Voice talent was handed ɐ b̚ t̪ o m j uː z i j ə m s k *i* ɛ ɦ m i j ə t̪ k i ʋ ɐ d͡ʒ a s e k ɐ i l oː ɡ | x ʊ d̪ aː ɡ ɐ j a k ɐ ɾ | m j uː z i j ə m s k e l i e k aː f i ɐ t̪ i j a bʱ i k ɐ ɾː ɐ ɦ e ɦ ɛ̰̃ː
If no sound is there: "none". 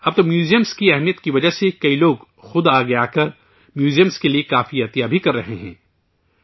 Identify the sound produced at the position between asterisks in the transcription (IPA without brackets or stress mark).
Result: i